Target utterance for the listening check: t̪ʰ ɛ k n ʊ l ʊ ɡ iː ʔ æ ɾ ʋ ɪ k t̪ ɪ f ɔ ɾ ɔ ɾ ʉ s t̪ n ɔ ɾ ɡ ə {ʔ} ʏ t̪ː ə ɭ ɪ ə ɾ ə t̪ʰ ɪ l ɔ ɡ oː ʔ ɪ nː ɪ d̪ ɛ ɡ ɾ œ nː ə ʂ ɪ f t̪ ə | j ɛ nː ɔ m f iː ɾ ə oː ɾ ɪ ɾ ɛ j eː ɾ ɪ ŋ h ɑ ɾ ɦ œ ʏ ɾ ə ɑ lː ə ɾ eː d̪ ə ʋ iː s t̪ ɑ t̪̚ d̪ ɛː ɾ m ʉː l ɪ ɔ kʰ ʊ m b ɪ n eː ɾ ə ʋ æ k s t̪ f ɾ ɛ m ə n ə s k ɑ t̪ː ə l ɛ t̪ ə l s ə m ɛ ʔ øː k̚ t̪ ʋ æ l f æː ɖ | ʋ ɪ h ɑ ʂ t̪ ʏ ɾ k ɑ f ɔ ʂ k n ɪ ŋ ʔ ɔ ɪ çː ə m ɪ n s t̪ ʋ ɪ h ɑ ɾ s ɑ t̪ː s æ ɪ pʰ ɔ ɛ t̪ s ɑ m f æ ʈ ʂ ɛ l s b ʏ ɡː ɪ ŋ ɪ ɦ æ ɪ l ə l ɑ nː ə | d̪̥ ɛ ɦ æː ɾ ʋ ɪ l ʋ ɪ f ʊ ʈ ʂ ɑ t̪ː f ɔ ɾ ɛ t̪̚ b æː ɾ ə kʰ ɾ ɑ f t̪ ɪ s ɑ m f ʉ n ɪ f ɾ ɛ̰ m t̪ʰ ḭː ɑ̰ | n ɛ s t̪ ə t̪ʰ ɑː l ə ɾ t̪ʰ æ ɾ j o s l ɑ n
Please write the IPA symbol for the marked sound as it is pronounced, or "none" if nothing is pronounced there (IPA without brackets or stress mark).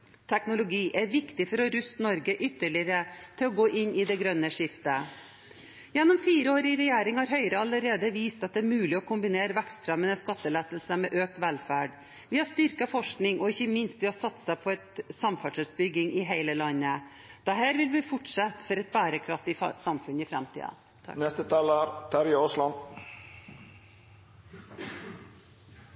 ʔ